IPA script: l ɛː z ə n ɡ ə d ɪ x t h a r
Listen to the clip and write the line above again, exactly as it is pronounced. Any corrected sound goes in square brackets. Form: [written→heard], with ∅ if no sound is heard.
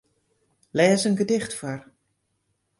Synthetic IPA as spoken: l ɛː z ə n ɡ ə d ɪ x t [h→f] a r